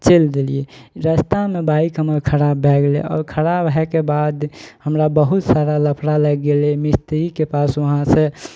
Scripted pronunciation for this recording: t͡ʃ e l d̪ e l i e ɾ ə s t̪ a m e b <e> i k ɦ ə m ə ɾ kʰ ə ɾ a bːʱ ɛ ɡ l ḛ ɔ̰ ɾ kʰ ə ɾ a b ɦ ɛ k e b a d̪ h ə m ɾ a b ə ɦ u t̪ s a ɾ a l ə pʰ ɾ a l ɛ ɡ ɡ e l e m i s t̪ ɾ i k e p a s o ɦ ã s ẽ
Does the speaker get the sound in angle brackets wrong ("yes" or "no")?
yes